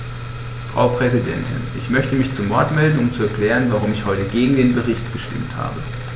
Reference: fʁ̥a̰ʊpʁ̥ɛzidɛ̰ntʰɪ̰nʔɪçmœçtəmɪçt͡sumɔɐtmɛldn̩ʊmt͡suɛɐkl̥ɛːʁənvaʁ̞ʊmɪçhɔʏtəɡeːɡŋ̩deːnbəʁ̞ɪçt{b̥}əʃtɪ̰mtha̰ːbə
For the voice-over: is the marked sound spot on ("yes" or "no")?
no